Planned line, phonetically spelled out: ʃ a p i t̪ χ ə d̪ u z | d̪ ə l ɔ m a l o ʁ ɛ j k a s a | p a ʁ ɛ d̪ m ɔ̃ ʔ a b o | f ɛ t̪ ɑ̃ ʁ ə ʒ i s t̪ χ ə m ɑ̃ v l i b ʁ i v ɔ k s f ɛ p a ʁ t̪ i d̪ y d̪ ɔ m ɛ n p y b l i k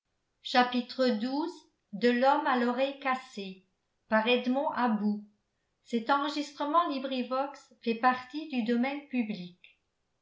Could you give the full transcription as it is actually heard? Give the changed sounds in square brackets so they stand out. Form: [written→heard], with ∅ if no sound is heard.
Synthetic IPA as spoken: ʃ a p i t̪ χ ə d̪ u z | d̪ ə l ɔ m a l [o→ɔ] ʁ ɛ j k a s [a→e] | p a ʁ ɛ d̪ m ɔ̃ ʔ a b [o→u] | [f→s] ɛ t̪ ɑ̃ ʁ ə ʒ i s t̪ χ ə m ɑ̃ [v→∅] l i b ʁ i v ɔ k s f ɛ p a ʁ t̪ i d̪ y d̪ ɔ m ɛ n p y b l i k